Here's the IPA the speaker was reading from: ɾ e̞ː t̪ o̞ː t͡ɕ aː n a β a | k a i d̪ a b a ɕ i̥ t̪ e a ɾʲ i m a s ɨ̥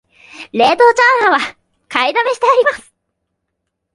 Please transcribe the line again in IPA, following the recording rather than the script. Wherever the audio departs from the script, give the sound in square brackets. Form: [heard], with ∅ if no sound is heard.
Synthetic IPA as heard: ɾ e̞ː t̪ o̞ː t͡ɕ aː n a β a | k a i d̪ a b [e] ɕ i̥ t̪ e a ɾʲ i m a s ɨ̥

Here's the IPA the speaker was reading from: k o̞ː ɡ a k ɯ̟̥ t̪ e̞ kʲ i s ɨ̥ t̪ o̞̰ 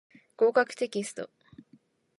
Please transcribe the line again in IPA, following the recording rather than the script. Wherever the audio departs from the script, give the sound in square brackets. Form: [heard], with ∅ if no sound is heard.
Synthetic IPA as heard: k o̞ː [k] a k ɯ̟̥ t̪ e̞ kʲ i s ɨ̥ t̪ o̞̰

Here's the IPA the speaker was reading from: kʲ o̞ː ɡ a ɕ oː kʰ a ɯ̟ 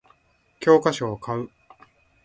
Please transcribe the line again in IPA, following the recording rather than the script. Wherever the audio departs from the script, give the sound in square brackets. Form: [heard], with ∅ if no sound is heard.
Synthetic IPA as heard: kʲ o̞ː [k] a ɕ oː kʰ a ɯ̟

